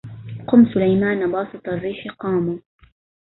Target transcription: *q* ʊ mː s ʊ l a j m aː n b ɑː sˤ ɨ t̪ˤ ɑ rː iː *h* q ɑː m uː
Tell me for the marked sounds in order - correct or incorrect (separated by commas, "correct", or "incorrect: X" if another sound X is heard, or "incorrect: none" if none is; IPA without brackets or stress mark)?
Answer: correct, incorrect: ħ